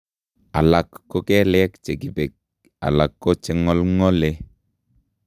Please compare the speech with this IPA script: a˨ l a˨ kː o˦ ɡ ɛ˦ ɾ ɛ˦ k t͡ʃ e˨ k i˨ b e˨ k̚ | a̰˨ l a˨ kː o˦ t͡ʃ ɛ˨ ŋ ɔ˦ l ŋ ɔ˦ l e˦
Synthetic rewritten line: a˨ l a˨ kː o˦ k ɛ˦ l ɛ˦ k t͡ʃ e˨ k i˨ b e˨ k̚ | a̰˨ l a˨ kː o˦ t͡ʃ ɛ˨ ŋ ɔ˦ l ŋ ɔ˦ l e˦